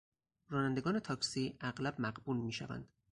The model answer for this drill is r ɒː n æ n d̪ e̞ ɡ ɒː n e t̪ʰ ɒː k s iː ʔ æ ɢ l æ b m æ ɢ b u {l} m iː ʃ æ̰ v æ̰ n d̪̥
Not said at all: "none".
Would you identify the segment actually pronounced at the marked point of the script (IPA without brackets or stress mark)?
l